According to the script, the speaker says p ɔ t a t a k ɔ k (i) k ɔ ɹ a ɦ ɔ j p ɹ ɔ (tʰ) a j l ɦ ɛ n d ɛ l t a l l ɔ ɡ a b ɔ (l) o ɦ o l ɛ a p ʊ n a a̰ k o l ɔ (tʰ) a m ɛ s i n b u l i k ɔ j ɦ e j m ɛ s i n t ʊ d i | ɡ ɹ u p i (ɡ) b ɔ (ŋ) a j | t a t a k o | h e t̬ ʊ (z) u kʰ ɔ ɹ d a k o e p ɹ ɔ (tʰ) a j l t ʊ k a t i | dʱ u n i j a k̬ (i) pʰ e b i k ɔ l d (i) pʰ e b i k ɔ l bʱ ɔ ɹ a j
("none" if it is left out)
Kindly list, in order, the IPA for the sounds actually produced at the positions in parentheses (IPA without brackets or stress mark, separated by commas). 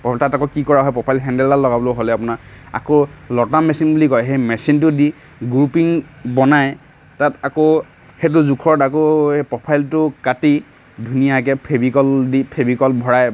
i, pʰ, l, t, ŋ, n, z, pʰ, ɛ, i